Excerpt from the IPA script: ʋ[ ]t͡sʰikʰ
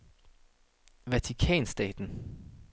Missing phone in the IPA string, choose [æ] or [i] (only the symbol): æ